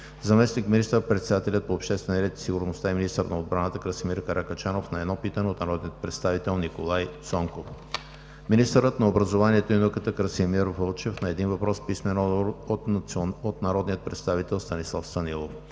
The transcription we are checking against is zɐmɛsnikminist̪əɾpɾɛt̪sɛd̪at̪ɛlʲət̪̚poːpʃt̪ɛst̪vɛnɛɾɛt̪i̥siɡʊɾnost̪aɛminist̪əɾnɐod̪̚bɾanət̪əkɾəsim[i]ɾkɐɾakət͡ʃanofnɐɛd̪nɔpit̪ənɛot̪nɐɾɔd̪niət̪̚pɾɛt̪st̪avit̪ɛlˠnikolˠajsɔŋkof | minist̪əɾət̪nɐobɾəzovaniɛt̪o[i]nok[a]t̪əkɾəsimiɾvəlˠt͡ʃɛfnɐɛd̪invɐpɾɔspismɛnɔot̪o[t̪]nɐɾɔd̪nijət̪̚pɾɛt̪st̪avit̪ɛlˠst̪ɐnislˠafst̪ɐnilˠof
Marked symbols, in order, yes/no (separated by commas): yes, yes, no, yes